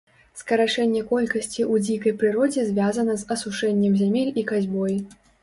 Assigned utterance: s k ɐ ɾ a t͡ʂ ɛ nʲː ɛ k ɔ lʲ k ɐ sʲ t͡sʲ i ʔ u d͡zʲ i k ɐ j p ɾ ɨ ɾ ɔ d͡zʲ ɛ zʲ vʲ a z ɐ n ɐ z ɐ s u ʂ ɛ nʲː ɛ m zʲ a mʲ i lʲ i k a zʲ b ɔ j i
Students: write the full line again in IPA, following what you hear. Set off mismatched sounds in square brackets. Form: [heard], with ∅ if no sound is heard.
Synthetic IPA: s k ɐ ɾ a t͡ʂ ɛ nʲː ɛ k ɔ lʲ k ɐ sʲ t͡sʲ i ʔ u d͡zʲ i k ɐ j p ɾ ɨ ɾ ɔ d͡zʲ ɛ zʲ vʲ a z ɐ n ɐ z ɐ s u ʂ ɛ nʲː ɛ m zʲ a mʲ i lʲ i k a zʲ b ɔ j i